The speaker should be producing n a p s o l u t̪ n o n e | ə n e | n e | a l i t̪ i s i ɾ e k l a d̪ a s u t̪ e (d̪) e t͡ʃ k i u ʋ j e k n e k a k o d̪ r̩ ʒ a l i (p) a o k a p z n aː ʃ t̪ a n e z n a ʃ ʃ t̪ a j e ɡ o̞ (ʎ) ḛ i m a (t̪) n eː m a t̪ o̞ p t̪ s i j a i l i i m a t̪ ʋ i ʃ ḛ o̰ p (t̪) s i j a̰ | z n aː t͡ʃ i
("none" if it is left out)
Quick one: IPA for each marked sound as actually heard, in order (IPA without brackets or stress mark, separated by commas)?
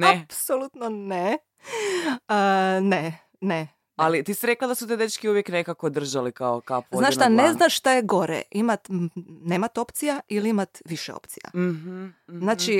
d̪, k, ɾ, t̪, t̪